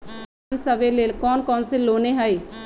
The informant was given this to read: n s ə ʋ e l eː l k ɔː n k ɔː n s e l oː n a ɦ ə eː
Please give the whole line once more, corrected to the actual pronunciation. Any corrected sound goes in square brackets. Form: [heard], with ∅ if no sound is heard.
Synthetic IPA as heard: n s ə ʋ e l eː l k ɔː n k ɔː n s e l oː n [e] ɦ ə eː